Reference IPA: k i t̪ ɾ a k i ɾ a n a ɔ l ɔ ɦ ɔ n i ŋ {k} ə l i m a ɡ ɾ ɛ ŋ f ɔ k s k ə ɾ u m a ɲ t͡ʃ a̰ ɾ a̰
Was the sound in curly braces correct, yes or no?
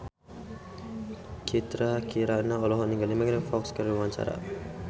no